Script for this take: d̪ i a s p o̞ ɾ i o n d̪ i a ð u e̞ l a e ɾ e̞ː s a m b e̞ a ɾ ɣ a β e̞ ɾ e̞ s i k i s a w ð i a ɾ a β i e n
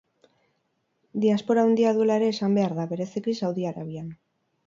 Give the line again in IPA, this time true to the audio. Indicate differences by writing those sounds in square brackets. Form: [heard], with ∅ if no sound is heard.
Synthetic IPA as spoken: d̪ i a s p o̞ ɾ [a] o n d̪ i a ð u e̞ l a e ɾ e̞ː s a m b e̞ a ɾ [ð] a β e̞ ɾ e̞ s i k i s a w ð i a ɾ a β i [a] n